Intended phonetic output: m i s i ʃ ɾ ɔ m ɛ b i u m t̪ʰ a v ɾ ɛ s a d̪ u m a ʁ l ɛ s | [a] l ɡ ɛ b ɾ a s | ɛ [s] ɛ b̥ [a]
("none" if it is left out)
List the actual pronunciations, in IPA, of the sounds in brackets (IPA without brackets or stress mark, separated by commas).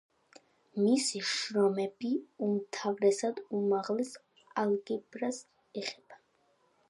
a, χ, a